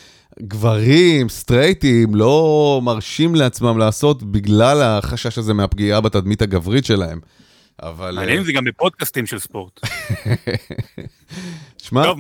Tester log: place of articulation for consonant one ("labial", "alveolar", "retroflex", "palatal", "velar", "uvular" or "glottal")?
velar